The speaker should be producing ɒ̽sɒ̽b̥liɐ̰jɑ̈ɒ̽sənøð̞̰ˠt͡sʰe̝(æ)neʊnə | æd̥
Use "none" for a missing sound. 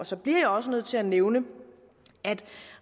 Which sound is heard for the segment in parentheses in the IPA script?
æ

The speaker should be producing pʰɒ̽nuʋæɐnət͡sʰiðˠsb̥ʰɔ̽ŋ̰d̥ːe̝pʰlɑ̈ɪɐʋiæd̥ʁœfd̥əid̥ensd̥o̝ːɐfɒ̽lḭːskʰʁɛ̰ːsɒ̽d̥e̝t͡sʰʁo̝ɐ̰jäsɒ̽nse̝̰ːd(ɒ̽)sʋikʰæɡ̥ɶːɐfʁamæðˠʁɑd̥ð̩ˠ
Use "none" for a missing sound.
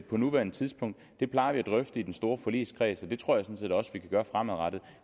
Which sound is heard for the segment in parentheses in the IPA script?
ɒ̽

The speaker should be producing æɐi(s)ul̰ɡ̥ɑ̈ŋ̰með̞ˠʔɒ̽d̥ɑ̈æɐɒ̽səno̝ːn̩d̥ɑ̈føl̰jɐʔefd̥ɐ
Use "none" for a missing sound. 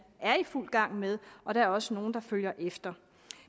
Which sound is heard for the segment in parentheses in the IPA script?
f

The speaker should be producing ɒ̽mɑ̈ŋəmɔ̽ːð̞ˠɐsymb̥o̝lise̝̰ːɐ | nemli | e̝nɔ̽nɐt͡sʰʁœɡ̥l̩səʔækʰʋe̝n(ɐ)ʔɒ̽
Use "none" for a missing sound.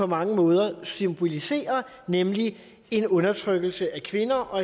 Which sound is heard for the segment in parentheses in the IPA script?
ɐ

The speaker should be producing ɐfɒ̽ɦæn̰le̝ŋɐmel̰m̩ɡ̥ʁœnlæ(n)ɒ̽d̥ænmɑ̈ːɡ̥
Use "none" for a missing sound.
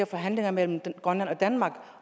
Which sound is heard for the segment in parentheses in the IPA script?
n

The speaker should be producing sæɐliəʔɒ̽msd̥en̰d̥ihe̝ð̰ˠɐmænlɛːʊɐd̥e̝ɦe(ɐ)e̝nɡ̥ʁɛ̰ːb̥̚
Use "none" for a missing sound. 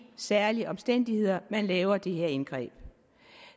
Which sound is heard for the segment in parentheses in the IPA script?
ɐ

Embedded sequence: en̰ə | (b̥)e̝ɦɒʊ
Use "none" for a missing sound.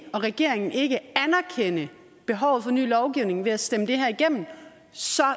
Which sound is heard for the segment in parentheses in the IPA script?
b̥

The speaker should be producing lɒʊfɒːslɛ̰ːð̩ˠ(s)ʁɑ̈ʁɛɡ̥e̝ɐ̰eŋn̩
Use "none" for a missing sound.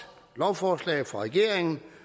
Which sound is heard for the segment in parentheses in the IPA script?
f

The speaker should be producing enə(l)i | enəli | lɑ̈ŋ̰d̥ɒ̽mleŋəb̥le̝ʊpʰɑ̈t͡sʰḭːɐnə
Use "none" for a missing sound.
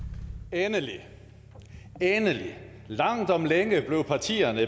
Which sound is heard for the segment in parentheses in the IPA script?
l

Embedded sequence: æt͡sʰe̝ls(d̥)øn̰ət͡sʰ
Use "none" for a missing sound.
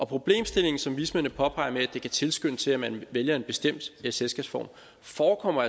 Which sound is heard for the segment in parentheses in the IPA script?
ɡ̥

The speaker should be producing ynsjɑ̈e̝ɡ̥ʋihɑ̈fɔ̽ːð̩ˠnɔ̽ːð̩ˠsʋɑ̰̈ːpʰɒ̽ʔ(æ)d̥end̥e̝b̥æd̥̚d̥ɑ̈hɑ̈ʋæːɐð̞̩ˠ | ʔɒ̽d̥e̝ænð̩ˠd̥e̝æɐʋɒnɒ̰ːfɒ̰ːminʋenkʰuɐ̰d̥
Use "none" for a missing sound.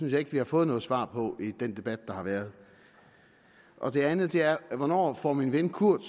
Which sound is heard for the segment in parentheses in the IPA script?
i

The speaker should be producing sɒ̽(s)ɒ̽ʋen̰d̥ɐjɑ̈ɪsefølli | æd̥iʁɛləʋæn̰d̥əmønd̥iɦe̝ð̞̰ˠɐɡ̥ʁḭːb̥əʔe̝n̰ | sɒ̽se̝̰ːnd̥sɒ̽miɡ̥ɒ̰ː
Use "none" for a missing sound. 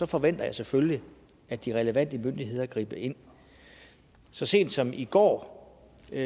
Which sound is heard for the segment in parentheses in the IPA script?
f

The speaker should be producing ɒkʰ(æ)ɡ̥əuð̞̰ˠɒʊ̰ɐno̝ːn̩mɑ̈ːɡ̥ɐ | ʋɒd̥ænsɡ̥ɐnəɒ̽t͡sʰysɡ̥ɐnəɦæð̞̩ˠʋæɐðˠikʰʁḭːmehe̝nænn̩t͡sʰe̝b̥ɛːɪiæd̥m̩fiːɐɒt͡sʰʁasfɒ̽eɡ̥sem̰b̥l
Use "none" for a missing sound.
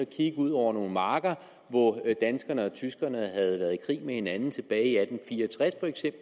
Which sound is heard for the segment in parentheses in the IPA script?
i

